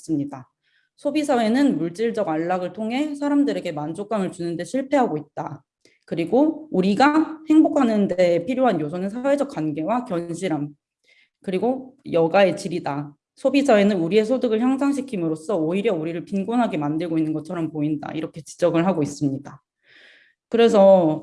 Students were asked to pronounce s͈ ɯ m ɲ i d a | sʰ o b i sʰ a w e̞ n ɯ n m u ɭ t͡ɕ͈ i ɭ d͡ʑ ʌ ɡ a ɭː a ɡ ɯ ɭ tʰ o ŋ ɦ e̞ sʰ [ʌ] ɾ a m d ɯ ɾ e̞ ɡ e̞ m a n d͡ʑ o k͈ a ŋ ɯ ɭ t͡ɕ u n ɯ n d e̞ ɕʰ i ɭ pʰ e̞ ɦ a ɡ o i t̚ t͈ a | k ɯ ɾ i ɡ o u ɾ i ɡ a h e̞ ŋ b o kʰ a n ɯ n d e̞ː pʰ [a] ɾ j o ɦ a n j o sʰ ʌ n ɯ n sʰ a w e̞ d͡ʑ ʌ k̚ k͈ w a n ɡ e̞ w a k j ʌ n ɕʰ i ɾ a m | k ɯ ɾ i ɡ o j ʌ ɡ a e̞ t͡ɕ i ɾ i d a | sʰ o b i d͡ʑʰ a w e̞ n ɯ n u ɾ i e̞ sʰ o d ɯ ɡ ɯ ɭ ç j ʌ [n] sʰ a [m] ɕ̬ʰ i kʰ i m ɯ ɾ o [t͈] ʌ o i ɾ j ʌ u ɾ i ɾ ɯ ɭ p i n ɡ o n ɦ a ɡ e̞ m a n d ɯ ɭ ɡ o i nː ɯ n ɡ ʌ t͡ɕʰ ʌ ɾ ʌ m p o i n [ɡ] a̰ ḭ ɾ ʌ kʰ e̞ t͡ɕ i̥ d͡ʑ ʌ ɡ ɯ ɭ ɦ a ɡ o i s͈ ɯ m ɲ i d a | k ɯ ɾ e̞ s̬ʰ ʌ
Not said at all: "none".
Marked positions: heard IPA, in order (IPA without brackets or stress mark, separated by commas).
a, i, ŋ, ŋ, s͈, d